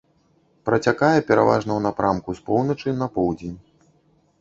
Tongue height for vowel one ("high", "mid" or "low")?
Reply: low